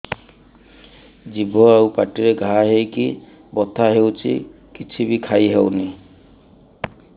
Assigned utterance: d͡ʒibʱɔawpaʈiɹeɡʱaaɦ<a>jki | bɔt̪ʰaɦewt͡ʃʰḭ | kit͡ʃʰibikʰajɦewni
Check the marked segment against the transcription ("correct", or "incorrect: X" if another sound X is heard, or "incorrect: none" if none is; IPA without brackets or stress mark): incorrect: e